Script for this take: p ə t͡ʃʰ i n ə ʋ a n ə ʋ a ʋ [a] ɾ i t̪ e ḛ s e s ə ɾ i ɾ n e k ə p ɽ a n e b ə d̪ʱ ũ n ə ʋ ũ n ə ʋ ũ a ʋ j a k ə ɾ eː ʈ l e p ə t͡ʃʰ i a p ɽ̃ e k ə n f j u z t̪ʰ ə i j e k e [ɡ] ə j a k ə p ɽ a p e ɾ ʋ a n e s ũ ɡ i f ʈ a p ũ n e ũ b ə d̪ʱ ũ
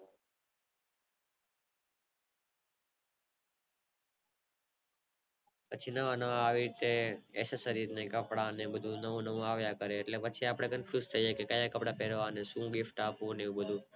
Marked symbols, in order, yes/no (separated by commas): no, no